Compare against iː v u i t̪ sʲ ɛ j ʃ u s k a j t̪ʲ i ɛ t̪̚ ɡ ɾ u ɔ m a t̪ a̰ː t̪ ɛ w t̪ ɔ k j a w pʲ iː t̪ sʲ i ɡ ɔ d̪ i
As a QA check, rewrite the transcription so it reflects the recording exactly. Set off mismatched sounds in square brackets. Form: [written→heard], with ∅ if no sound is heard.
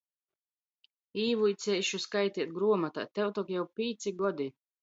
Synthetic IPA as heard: iː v u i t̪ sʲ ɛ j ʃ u s k a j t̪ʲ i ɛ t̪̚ ɡ ɾ u ɔ m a t̪ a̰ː t̪ ɛ w t̪ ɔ k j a w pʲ iː t̪ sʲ i ɡ ɔ d̪ i